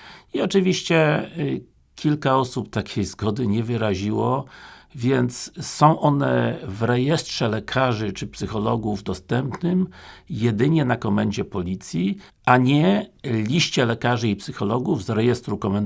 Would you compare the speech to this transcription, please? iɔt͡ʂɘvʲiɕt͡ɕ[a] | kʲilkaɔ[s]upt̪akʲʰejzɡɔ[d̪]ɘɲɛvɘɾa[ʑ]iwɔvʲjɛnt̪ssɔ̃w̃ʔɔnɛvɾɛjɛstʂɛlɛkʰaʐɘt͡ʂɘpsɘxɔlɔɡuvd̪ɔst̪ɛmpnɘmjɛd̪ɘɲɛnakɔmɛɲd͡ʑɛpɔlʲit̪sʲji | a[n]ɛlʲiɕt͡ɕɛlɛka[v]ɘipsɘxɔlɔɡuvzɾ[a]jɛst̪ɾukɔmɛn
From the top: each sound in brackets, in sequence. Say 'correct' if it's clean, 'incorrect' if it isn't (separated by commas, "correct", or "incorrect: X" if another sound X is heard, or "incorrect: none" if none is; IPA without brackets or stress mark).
incorrect: ɛ, correct, correct, correct, incorrect: ɲ, incorrect: ʐ, incorrect: ɛ